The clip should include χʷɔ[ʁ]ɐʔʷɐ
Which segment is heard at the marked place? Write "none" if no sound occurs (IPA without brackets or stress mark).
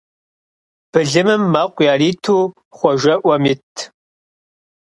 ʒ